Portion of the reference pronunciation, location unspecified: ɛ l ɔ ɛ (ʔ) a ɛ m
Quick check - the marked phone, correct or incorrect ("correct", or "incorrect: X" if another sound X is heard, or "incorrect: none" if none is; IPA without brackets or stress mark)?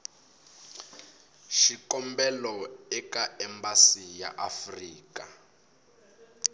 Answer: incorrect: k